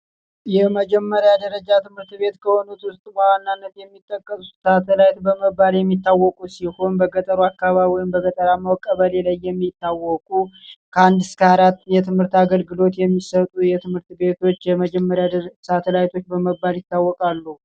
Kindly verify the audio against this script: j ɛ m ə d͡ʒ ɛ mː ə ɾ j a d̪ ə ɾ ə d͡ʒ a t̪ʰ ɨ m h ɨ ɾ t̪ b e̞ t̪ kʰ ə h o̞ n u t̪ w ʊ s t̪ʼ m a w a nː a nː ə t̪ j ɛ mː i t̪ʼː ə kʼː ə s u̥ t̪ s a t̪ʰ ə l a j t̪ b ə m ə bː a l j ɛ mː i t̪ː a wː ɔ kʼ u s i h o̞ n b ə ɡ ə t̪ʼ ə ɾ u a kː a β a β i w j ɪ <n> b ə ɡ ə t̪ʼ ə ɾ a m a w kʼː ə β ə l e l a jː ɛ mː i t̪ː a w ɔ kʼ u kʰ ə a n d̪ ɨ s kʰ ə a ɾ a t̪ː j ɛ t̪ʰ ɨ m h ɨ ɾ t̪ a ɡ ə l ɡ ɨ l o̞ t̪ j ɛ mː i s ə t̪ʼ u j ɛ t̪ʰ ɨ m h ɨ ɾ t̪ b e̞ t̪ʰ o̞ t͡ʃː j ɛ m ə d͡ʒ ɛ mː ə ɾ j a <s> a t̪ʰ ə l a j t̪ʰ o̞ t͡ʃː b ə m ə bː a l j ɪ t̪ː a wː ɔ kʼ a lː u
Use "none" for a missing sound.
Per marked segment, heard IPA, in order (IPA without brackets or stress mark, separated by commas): m, s